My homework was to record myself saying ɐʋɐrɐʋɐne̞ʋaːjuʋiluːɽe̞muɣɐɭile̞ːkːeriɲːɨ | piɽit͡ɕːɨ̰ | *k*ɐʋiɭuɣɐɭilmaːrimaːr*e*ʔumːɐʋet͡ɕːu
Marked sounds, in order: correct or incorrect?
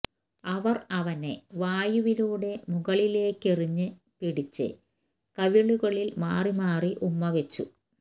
correct, incorrect: i

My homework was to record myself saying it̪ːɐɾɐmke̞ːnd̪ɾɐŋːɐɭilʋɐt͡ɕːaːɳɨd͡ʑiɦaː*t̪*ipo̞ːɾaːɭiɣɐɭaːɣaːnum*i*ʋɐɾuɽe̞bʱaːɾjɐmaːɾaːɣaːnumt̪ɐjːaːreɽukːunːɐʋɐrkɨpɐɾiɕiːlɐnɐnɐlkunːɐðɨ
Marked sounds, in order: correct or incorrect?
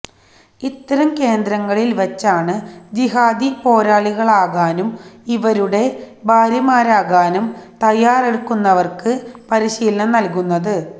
incorrect: d̪, correct

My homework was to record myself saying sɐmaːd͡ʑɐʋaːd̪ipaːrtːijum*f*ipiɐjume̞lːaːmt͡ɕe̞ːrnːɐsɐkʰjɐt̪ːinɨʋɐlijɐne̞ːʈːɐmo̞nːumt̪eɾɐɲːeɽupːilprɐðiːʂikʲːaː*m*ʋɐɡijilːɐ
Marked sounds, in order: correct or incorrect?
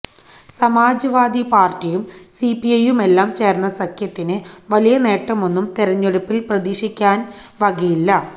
incorrect: s, incorrect: n

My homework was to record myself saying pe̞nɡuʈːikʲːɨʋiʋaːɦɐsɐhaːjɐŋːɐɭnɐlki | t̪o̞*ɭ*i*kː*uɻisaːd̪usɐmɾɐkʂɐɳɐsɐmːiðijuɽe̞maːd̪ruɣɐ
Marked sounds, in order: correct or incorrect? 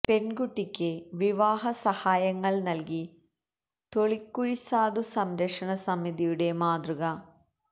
correct, correct

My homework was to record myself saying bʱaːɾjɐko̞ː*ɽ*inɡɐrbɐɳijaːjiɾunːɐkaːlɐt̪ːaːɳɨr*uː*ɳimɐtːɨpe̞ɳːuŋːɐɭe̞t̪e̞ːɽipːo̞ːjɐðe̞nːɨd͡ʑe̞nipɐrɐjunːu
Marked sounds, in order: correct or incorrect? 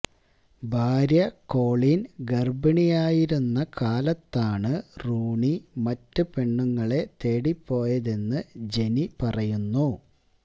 incorrect: ɭ, correct

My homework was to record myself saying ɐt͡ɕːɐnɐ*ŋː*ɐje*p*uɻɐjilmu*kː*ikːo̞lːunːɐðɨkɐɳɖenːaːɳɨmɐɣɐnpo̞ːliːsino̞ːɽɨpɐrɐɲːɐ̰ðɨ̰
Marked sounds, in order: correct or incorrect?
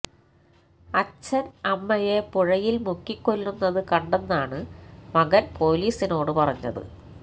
incorrect: mː, correct, correct

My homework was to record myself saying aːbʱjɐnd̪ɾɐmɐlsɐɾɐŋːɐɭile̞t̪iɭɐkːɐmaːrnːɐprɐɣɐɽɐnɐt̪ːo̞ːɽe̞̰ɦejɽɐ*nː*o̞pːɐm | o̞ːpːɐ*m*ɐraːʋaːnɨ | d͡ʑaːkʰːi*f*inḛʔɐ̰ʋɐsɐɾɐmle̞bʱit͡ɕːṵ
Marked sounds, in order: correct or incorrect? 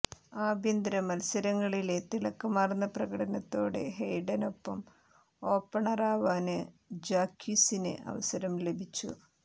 incorrect: n, incorrect: ɳ, incorrect: s

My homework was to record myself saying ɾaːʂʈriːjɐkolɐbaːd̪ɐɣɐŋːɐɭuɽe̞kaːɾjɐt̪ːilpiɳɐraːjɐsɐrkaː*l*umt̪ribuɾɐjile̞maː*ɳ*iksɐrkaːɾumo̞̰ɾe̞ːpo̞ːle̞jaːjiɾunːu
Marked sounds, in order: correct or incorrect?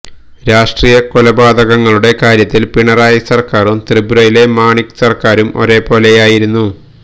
incorrect: r, correct

